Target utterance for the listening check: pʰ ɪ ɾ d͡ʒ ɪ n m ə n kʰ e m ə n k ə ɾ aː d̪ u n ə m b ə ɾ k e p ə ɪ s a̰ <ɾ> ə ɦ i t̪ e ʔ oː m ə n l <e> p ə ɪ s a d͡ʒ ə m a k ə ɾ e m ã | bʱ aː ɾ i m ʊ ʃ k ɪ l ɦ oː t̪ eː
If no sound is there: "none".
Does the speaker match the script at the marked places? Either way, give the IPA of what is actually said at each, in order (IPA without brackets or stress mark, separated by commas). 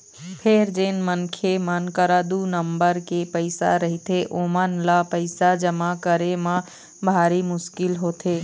ɾ, a